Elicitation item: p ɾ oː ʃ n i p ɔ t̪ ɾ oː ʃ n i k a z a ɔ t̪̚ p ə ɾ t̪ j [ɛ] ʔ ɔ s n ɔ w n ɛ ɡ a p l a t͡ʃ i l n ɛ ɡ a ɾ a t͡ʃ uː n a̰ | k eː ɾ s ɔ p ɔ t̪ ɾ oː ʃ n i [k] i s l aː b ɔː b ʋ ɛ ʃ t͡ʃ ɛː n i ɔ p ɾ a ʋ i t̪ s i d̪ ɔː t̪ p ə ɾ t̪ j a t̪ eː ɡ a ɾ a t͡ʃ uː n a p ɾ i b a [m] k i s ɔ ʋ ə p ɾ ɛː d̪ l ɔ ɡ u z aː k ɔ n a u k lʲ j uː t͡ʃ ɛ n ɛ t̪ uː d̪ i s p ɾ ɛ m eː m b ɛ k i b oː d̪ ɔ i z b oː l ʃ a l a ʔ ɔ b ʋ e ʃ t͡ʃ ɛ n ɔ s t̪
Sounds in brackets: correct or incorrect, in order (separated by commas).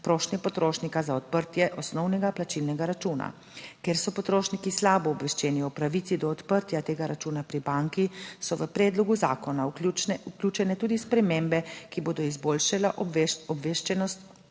correct, correct, incorrect